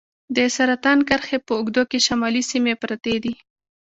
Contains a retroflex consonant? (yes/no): no